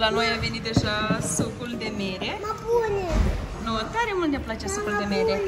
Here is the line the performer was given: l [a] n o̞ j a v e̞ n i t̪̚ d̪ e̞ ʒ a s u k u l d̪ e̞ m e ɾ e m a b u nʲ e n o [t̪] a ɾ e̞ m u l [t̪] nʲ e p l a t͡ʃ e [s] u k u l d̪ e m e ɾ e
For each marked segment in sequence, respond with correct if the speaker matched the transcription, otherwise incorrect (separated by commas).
correct, correct, correct, correct